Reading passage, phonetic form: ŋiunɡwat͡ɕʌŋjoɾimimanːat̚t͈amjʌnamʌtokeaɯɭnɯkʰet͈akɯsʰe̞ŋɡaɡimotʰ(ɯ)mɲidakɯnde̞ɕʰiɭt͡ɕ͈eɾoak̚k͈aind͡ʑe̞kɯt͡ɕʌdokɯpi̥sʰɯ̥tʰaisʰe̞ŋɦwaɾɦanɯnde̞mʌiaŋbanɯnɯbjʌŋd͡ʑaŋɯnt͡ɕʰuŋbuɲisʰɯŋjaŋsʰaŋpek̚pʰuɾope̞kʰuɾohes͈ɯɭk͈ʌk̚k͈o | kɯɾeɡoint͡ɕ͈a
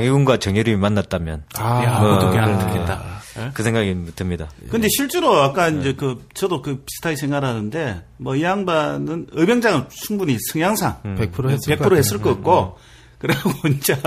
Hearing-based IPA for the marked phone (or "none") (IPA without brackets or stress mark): ɯ